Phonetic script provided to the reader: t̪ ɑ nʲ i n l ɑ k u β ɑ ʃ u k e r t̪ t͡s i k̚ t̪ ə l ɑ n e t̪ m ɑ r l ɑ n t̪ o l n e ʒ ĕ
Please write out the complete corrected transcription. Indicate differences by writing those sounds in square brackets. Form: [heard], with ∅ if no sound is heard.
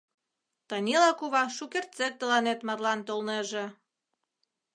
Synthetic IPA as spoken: t̪ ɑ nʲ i [∅] l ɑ k u β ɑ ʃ u k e r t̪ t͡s [e] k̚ t̪ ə l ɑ n e t̪ m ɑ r l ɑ n t̪ o l n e ʒ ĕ